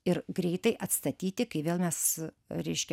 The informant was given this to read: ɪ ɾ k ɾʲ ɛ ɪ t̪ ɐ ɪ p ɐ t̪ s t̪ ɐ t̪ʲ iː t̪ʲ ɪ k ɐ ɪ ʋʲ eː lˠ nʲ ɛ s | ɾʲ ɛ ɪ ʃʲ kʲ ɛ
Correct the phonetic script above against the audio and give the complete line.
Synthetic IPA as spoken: ɪ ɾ ɡ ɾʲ ɛ ɪ t̪ ɐ ɪ ʔ ɐ t̪ s t̪ ɐ t̪ʲ iː t̪ʲ ɪ k ɐ ɪ ʋʲ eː lˠ mʲ ɛ s | ɾʲ ɛ ɪ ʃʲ kʲ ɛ